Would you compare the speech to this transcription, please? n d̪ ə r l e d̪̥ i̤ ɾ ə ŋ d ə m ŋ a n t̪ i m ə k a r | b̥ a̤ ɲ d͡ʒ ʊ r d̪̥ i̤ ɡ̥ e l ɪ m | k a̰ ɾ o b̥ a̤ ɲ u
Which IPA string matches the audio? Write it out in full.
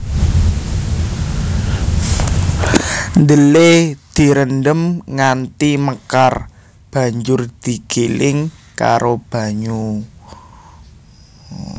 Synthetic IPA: n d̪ ə l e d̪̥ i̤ ɾ ə n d ə m ŋ a n t̪ i m ə k a r | b̥ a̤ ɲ d͡ʒ ʊ r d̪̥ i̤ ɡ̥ e l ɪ ŋ | k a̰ ɾ o b̥ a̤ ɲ u